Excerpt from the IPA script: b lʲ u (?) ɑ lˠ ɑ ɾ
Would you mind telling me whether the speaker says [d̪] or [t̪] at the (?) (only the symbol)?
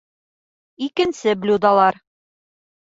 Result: d̪